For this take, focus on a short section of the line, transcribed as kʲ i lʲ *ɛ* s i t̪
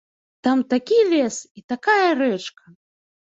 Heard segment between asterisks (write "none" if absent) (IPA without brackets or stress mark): ɛ